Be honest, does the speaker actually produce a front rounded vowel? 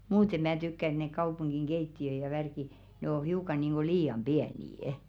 yes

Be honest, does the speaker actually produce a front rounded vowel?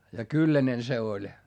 yes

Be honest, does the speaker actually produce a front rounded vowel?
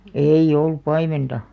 no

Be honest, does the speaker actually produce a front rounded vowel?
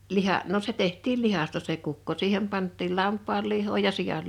no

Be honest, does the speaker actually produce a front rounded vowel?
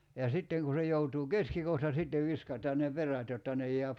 no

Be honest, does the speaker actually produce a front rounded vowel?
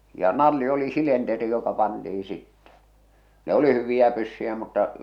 yes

